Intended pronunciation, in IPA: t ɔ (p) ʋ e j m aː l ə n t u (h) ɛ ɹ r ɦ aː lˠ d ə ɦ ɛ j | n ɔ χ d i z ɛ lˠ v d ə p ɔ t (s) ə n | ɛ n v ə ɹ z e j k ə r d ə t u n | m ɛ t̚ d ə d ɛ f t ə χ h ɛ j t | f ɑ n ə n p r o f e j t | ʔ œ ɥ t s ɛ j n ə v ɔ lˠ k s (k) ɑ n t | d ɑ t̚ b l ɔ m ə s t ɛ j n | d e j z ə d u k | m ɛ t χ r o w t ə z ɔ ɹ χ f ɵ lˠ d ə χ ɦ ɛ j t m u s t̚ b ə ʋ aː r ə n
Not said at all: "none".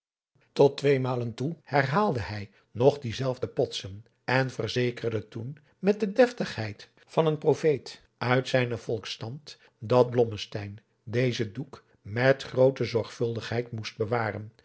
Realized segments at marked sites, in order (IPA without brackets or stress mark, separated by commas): t, h, s, t